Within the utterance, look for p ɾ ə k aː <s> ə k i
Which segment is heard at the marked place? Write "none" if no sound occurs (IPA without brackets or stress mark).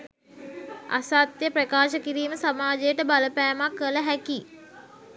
ʃ